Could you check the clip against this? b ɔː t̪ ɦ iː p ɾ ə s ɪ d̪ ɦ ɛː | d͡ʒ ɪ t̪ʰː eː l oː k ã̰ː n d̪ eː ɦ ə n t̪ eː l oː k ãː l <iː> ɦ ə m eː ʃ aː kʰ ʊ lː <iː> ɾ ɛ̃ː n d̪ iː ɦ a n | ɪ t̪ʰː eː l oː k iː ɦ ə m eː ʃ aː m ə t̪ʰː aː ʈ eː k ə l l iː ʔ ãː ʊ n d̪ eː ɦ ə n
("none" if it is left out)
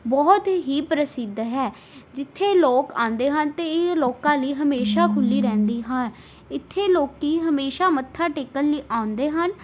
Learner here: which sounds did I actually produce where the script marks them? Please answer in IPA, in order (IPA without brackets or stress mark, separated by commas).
iː, iː